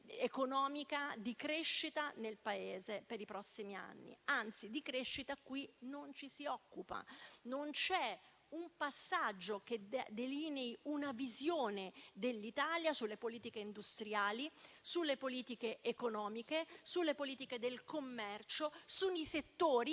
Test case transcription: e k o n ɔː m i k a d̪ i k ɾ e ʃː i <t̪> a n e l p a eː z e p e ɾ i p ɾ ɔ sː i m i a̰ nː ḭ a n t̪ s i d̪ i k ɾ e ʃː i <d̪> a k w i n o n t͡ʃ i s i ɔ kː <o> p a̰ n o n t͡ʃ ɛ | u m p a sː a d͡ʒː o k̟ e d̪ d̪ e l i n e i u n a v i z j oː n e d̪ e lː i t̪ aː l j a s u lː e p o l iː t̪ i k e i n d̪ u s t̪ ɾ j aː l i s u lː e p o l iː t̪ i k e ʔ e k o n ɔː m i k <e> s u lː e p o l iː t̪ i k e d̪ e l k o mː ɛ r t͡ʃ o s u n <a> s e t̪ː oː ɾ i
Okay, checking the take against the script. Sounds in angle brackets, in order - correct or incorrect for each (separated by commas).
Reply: correct, incorrect, incorrect, correct, incorrect